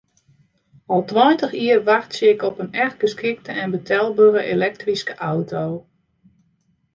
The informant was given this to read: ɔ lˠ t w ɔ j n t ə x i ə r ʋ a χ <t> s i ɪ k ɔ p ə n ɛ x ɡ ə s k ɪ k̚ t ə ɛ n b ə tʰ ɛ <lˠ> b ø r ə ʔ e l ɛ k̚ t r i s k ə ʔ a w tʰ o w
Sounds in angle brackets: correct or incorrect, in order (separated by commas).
correct, correct